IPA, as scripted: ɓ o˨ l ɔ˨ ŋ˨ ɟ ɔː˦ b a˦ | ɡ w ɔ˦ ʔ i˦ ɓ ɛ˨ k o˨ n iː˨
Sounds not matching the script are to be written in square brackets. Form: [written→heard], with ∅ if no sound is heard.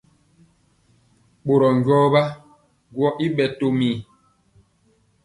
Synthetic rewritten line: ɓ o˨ [l→ɾ] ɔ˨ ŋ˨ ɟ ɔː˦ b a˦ | ɡ w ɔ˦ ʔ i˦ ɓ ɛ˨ [k→t] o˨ [n→m] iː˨